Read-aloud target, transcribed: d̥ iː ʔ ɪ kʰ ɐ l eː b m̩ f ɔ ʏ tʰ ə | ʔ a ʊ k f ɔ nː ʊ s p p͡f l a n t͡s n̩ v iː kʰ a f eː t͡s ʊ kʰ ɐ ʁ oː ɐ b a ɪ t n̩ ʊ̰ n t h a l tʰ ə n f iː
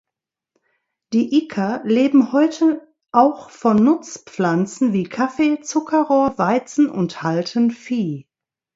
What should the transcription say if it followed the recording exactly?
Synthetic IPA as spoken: d̥ iː ʔ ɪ kʰ ɐ l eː b m̩ h ɔ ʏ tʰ ə | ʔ a ʊ x f ɔ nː ʊ t͡s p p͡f l a n t͡s n̩ v iː kʰ a f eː t͡s ʊ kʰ ɐ ʁ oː ɐ v a ɪ t͡s n̩ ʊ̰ n t h a l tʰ ə n f iː